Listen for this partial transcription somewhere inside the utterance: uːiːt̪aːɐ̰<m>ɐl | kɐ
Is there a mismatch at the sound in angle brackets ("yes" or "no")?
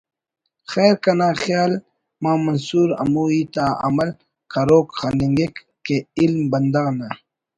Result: no